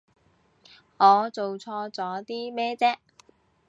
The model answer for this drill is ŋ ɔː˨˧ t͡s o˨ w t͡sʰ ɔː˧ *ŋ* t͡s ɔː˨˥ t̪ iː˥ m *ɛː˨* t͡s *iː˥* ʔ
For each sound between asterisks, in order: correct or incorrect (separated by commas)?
incorrect, incorrect, incorrect